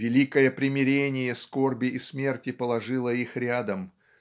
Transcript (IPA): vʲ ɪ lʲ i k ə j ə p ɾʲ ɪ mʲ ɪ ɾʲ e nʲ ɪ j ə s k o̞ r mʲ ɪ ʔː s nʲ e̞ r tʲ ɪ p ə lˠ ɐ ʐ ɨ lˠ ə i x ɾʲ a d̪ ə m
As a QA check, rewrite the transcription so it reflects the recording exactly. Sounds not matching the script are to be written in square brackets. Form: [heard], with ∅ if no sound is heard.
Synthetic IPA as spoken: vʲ ɪ lʲ i k ə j ə p ɾʲ ɪ mʲ ɪ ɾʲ e nʲ ɪ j ə s k o̞ r [bʲ] ɪ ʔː s [mʲ] e̞ r tʲ ɪ p ə lˠ ɐ ʐ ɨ lˠ ə i x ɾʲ a d̪ ə m